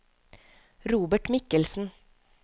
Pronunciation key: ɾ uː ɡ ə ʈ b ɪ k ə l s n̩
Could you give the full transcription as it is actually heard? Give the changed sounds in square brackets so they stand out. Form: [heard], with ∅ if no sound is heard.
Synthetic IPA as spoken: ɾ uː [b] ə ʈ [m] ɪ k ə l s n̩